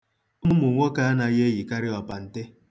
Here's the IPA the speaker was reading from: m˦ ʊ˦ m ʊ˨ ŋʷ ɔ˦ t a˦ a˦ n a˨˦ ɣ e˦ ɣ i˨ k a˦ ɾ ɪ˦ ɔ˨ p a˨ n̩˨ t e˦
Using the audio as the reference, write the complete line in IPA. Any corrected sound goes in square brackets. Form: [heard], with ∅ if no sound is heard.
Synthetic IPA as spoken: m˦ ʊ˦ m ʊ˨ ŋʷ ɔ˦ [k] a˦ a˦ n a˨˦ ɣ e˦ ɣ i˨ k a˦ ɾ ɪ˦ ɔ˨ p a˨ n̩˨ t e˦